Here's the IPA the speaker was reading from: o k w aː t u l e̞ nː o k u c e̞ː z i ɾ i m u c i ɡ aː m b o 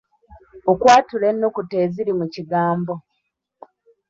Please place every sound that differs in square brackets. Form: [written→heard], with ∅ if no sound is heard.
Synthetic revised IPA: o k w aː t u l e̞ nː o k u [c→t] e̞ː z i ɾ i m u c i ɡ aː m b o